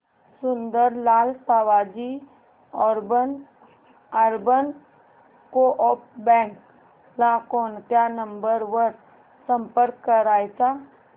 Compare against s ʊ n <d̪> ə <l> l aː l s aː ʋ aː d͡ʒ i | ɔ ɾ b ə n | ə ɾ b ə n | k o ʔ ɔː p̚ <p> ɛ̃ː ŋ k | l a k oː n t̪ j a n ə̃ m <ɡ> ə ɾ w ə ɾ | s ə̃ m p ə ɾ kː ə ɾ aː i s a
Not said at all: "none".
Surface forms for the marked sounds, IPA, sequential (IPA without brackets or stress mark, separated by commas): d̪, ɾ, b, b